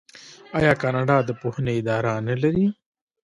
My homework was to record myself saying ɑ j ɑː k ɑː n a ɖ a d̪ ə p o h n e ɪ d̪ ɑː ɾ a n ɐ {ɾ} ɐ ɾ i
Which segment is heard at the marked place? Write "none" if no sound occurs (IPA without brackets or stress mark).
l